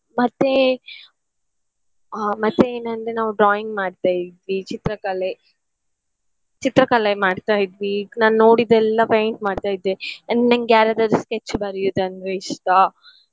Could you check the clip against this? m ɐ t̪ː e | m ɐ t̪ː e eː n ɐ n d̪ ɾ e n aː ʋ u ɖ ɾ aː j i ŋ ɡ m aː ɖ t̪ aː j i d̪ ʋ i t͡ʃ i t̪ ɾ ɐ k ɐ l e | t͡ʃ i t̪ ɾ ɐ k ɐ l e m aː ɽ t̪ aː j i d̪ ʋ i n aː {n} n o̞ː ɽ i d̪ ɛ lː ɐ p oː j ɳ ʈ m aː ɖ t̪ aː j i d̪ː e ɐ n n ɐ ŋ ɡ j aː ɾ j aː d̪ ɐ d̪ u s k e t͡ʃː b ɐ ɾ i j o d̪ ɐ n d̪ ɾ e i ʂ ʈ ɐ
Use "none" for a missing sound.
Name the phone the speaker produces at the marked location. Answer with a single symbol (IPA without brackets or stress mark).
n